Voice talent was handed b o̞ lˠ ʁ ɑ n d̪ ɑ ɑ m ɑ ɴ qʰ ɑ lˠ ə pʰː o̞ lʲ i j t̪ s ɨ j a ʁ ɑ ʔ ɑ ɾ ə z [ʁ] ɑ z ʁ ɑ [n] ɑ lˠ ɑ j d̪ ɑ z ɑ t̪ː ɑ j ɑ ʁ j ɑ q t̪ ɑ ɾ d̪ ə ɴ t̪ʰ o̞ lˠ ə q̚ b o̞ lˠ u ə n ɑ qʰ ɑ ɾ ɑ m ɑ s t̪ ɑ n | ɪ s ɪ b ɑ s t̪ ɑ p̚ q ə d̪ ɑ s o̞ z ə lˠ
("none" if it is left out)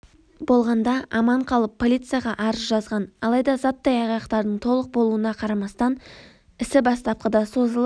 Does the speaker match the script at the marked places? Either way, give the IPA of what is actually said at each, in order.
ʒ, n

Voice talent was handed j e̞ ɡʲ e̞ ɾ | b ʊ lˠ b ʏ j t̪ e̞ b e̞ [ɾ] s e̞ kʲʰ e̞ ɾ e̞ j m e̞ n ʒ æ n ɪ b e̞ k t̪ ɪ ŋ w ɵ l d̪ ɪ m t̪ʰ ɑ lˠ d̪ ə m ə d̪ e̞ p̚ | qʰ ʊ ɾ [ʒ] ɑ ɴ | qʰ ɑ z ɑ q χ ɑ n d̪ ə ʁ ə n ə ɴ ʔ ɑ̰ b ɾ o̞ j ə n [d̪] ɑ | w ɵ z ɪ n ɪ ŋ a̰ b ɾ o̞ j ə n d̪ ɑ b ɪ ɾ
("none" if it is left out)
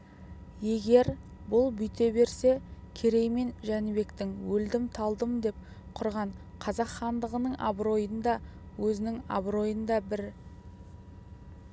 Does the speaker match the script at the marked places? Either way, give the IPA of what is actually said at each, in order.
ɾ, ʁ, d̪

